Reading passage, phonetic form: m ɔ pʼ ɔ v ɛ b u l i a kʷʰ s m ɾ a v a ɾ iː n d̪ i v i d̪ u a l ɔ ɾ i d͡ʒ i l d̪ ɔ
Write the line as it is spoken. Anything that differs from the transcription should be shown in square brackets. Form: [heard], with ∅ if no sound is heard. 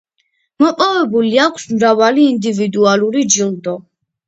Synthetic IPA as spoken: m ɔ pʼ ɔ v ɛ b u l i a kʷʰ s m ɾ a v a [l] iː n d̪ i v i d̪ u a l [u] ɾ i d͡ʒ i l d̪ ɔ